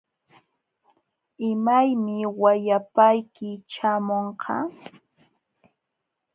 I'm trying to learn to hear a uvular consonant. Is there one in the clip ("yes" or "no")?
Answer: yes